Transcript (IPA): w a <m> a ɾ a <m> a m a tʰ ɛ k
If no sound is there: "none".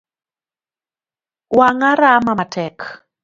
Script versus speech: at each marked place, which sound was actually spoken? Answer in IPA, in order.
ŋ, m

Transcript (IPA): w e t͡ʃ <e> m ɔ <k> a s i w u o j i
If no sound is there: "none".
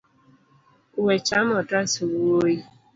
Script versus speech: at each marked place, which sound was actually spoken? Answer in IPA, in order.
a, t

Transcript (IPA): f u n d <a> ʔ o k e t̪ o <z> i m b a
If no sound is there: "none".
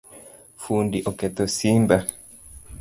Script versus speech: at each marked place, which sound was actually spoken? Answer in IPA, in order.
i, s

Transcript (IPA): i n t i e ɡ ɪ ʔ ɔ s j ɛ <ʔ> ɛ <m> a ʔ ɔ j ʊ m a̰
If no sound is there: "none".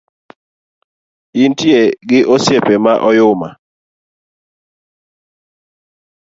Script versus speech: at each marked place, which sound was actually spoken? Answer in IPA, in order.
p, m

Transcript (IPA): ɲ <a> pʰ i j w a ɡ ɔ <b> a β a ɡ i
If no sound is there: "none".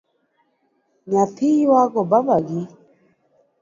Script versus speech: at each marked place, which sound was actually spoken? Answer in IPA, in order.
a, b

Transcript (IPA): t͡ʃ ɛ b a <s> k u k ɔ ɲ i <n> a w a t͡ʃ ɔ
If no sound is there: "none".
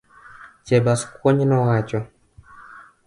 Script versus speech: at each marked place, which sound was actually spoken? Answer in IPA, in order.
s, n

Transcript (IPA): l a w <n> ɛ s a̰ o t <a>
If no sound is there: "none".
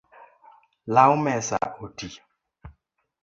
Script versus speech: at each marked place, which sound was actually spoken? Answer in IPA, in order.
m, i

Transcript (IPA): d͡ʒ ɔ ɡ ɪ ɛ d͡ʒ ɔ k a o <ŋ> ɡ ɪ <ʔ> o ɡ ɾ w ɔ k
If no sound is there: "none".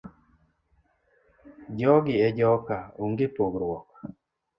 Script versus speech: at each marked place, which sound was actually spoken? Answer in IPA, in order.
ŋ, p

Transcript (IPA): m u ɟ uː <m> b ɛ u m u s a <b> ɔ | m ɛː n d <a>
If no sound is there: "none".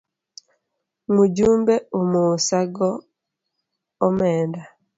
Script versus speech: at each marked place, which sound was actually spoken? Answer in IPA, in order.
m, ɡ, a

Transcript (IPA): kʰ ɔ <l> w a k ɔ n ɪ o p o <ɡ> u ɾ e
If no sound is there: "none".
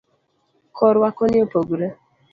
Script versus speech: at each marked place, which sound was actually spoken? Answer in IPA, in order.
ɾ, ɡ

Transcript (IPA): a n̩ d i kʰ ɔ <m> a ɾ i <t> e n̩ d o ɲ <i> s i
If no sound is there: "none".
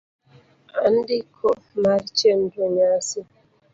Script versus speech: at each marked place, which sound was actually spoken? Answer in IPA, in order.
m, t͡ʃ, a

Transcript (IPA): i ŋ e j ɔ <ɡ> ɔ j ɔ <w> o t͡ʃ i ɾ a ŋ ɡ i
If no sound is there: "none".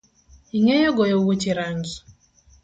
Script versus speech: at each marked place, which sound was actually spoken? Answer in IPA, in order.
ɡ, w

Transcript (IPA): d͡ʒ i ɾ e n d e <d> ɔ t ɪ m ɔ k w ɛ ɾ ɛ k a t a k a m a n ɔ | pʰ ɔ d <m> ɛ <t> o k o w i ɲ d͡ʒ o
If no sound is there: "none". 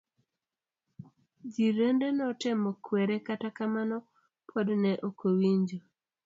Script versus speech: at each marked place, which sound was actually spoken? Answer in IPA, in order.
n, n, ʔ

